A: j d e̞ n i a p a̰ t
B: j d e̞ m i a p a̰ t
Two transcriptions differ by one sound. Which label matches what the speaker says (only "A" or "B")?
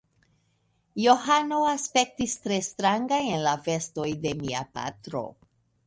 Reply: B